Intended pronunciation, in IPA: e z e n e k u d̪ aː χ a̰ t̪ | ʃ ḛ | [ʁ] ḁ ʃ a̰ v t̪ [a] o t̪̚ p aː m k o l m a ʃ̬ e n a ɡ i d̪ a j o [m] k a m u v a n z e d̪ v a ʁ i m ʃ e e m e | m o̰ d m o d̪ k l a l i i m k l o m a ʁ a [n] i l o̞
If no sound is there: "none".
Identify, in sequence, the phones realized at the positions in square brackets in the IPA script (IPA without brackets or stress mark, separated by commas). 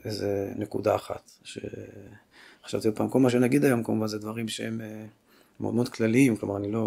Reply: χ, i, m, n